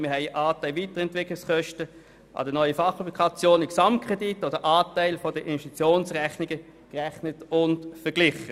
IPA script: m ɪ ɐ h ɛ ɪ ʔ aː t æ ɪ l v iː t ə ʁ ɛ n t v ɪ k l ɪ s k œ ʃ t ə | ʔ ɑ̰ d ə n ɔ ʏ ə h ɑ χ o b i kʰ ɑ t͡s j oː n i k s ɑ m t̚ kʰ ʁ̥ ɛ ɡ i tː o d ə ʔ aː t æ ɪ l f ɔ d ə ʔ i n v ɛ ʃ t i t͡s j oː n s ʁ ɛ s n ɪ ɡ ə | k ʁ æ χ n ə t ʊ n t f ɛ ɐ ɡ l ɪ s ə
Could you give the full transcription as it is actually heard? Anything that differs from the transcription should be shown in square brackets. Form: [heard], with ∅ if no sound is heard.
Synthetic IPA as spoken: m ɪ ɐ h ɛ ɪ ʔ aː t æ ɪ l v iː t ə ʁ ɛ n t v ɪ k l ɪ s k œ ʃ t ə | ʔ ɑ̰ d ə n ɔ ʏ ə [f] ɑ χ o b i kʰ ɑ t͡s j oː n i k s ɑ m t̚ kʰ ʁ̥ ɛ [d] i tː o d ə ʔ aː t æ ɪ l f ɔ d ə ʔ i n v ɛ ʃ t i t͡s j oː n s ʁ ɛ [χ] n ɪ ɡ ə | k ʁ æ χ n ə t ʊ n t f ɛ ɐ ɡ l ɪ [χ] ə